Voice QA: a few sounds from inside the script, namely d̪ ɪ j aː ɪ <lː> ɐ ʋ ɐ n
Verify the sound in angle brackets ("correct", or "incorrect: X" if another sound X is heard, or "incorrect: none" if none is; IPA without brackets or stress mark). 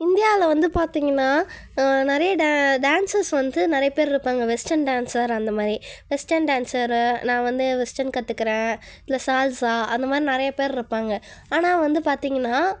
incorrect: l